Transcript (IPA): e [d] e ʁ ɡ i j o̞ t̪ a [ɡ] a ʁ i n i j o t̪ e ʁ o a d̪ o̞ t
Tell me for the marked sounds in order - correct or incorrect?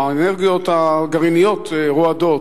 incorrect, correct

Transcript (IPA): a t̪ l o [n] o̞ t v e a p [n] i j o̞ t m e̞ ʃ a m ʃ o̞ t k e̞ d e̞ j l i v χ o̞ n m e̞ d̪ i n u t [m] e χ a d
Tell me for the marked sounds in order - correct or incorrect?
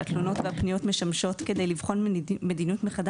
correct, correct, correct

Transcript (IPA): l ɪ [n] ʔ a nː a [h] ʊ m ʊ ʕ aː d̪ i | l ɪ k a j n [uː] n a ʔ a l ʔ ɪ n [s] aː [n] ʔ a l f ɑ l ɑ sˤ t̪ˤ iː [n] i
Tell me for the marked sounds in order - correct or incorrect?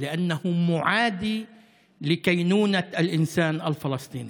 incorrect, correct, correct, correct, correct, correct

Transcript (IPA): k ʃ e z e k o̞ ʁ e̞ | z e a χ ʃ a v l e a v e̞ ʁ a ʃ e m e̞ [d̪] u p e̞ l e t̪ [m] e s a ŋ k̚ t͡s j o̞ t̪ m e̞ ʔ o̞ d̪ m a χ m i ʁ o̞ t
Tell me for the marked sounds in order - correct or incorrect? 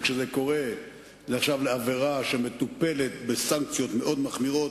incorrect, incorrect

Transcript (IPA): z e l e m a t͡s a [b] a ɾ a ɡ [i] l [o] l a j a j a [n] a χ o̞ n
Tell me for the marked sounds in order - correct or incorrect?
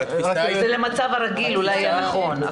incorrect, correct, incorrect, correct

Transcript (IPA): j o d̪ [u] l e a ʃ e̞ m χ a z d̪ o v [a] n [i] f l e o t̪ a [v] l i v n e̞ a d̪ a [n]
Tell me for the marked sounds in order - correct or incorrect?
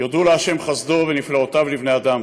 correct, incorrect, correct, correct, incorrect

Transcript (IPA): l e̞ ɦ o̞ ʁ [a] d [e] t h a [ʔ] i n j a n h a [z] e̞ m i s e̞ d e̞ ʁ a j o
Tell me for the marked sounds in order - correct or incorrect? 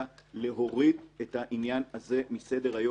incorrect, correct, correct, correct

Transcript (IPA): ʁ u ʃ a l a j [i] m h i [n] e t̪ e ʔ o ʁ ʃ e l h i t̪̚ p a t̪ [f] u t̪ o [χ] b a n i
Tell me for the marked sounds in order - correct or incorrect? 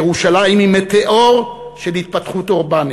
correct, incorrect, incorrect, incorrect

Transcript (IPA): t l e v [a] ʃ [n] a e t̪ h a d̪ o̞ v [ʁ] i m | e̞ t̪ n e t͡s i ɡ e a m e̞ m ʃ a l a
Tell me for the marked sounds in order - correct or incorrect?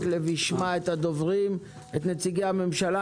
incorrect, incorrect, correct

